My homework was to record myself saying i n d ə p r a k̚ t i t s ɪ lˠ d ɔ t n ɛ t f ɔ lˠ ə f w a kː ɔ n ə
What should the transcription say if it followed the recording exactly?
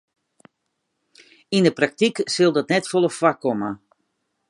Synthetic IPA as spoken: i n d ə p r a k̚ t i k s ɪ lˠ d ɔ t n ɛ t f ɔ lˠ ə f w a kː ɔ m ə